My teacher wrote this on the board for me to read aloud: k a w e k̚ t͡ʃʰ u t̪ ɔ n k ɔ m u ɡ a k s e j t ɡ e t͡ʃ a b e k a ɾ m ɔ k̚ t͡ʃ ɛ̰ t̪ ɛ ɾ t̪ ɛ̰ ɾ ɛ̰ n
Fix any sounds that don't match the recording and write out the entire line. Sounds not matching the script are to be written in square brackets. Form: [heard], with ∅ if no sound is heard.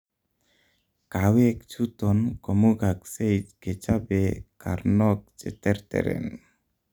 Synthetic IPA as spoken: k a w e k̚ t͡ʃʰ u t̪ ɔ n k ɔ m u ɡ a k s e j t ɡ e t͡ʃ a b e k a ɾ [n] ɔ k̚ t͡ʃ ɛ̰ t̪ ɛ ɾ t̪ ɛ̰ ɾ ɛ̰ n